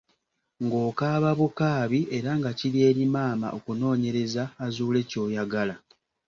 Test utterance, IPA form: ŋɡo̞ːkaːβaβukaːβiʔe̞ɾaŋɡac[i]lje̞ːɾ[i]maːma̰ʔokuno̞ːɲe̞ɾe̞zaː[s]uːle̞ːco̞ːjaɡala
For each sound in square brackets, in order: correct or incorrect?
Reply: correct, correct, incorrect: z

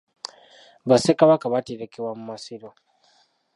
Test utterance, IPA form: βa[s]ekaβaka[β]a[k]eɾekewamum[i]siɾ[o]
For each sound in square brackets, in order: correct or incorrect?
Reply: correct, correct, incorrect: t, incorrect: a, correct

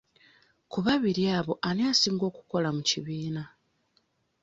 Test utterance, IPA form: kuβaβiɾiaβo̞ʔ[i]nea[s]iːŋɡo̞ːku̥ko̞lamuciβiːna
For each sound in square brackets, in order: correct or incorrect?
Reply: incorrect: a, correct

